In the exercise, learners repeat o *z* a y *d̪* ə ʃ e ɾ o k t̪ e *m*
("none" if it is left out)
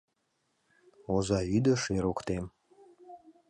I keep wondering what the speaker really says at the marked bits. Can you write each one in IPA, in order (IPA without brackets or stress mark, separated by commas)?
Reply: z, d̪, m